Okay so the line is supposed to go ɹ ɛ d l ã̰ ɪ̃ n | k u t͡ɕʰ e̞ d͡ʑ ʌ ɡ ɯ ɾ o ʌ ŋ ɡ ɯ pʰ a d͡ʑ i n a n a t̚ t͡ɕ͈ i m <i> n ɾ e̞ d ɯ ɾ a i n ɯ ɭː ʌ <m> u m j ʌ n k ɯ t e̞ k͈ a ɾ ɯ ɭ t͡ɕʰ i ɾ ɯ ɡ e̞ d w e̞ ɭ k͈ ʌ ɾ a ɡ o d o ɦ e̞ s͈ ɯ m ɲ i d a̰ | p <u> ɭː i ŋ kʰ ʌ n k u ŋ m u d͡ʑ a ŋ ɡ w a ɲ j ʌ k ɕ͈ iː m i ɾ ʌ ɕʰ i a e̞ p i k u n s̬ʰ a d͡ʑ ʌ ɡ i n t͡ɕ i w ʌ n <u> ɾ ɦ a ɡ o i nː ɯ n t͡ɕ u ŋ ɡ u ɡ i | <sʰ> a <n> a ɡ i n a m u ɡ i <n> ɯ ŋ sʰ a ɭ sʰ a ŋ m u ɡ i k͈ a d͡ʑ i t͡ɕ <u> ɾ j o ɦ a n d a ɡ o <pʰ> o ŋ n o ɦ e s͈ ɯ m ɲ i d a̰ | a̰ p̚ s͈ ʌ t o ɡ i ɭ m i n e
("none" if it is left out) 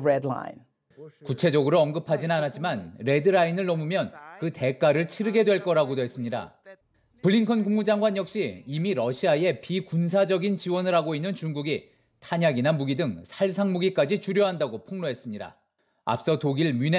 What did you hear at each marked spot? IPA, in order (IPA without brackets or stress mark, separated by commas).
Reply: a, m, ɯ, ɯ, tʰ, ɲ, d, u, pʰ